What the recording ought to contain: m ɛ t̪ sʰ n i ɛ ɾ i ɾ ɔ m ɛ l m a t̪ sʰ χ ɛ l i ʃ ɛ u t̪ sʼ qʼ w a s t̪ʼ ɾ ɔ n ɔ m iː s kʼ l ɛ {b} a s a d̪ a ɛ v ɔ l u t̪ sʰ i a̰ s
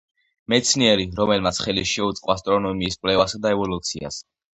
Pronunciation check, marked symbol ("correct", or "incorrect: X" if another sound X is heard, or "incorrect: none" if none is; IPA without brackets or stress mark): incorrect: v